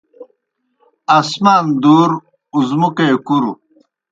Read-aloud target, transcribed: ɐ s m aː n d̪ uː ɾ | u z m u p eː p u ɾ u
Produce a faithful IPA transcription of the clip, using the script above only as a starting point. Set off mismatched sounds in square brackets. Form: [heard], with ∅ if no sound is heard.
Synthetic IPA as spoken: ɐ s m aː n d̪ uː ɾ | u z m u [k] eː [k] u ɾ u